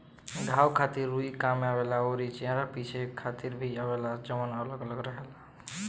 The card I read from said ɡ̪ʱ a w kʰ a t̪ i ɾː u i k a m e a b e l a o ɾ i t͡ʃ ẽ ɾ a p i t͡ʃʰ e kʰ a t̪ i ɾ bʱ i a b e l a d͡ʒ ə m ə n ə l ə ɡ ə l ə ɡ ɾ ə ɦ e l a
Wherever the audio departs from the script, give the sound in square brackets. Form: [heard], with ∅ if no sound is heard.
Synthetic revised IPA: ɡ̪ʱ a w kʰ a t̪ i ɾː u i k a m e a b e l a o ɾ i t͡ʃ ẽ ɾ a p i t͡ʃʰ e kʰ a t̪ i ɾ bʱ i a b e l a d͡ʒ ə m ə n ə l ə ɡ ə l ə ɡ ɾ ə ɦ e l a